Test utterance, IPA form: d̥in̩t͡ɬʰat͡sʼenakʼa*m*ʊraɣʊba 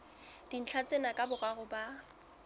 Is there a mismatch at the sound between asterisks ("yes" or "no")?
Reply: yes